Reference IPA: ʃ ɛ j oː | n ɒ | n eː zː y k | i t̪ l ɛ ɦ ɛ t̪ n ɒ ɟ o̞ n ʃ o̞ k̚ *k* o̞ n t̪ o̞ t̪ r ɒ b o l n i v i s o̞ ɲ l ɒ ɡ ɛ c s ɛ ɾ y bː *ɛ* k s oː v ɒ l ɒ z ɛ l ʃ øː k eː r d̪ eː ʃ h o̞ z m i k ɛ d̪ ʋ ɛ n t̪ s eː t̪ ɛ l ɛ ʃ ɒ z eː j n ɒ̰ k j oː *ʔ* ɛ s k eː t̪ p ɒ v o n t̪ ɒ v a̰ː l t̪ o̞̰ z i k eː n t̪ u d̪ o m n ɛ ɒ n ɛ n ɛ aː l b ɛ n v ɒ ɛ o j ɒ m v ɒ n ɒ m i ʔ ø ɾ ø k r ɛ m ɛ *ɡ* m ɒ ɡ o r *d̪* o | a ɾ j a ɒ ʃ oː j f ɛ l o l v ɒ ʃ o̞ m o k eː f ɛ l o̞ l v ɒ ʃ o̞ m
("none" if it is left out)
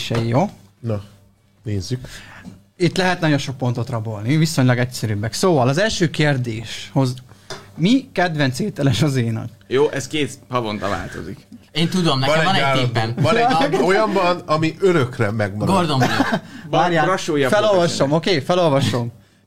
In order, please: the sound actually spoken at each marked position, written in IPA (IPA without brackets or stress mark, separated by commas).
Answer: p, ɛ, ʔ, ɡ, d̪